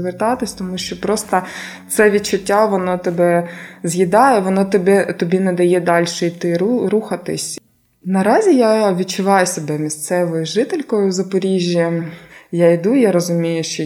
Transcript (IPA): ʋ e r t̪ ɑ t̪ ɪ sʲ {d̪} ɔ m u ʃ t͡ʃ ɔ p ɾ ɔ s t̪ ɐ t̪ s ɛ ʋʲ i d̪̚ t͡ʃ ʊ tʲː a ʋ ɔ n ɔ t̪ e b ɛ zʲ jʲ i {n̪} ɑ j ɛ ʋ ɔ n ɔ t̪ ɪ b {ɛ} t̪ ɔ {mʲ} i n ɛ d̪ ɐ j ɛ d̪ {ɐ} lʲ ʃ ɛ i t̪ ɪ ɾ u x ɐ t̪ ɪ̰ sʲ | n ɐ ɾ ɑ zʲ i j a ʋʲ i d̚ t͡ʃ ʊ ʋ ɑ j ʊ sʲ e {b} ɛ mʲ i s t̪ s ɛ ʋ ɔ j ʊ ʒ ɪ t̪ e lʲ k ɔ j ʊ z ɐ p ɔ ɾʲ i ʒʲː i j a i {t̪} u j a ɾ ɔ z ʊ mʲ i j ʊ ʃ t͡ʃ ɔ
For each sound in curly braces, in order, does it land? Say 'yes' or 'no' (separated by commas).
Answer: no, no, yes, no, no, yes, no